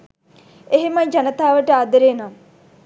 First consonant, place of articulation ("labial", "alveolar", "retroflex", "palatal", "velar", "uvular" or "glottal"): glottal